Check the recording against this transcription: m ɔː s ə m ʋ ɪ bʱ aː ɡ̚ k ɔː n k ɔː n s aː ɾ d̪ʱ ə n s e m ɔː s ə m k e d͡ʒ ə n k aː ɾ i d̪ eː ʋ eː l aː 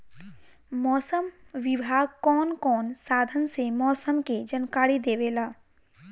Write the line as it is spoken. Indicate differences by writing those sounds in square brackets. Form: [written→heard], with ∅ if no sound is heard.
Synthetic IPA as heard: m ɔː s ə m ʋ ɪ bʱ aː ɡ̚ k ɔː n k ɔː n s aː [ɾ→∅] d̪ʱ ə n s e m ɔː s ə m k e d͡ʒ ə n k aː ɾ i d̪ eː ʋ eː l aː